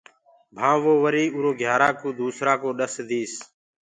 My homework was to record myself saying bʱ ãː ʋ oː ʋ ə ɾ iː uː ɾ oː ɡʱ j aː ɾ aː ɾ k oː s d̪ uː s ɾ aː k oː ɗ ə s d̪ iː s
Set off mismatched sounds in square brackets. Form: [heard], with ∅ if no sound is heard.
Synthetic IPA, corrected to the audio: bʱ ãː ʋ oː ʋ ə ɾ iː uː ɾ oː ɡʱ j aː ɾ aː [∅] k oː [∅] d̪ uː s ɾ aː k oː ɗ ə s d̪ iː s